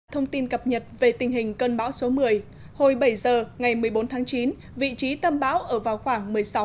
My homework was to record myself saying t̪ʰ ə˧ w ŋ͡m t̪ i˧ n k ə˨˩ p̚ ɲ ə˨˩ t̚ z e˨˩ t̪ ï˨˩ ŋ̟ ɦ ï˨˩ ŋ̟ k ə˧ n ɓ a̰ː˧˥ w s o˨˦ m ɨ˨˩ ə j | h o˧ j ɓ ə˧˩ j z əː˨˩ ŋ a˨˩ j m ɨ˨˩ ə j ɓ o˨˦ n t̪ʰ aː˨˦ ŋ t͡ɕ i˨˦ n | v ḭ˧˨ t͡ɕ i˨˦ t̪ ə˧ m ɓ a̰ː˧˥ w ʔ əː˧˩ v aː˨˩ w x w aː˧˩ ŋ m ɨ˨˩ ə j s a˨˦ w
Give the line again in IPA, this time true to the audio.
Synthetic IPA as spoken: t̪ʰ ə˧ w ŋ͡m t̪ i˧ n k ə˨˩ p̚ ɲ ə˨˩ t̚ v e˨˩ t̪ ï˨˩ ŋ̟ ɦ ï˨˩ ŋ̟ k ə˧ n ɓ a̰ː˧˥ w s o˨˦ m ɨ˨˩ ə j | h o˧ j ɓ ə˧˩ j z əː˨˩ ŋ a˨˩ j m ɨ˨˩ ə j ɓ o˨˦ n t̪ʰ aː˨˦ ŋ t͡ɕ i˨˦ n | v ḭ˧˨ t͡ɕ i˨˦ t̪ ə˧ m ɓ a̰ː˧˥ w ʔ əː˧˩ v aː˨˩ w x w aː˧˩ ŋ m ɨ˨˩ ə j s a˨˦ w